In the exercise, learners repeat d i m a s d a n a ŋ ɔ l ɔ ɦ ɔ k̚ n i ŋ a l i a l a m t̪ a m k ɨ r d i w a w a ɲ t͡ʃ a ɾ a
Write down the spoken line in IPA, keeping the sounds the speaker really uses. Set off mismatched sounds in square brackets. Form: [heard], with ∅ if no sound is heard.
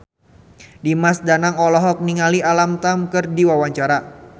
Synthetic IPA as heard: d i m a s d a n a ŋ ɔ l ɔ ɦ ɔ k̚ n i ŋ a l i a l a m t̪ a m k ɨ r d i w a w a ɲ t͡ʃ a ɾ a